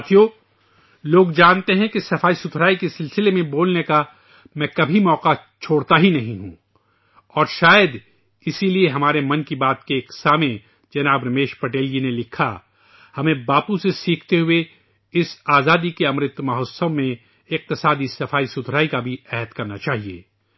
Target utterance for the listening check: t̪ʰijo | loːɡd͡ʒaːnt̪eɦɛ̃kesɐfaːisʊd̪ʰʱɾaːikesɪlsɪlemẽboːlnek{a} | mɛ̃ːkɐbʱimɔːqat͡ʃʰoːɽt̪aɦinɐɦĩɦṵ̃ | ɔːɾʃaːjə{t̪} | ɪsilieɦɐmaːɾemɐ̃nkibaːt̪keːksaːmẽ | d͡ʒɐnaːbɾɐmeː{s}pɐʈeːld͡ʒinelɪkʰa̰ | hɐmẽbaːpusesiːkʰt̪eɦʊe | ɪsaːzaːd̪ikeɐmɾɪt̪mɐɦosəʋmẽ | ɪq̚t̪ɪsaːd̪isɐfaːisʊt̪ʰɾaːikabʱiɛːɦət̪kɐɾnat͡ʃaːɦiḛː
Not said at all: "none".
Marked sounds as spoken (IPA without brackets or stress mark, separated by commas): a, d̪, ʃ